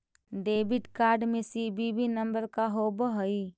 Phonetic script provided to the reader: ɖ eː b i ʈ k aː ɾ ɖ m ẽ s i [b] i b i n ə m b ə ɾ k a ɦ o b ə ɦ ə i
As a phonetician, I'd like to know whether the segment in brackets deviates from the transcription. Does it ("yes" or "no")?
no